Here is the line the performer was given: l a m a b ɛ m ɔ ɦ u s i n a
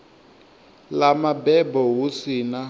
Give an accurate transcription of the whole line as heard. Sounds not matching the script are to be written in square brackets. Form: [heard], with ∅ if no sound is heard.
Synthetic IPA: l a m a b ɛ [b] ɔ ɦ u s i n a